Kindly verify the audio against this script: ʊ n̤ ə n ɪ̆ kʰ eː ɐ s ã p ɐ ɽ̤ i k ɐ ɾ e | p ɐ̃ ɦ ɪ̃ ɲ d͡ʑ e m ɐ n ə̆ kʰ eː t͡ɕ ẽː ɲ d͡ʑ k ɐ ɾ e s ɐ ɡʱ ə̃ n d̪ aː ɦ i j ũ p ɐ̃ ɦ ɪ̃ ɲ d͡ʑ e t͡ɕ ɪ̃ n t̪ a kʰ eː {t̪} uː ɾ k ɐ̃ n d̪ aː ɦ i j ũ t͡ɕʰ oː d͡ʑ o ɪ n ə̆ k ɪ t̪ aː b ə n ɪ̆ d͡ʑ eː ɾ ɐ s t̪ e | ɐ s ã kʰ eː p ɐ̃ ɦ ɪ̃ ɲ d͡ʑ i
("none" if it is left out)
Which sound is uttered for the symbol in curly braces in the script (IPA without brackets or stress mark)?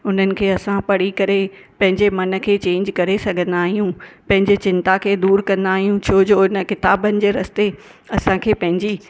d̪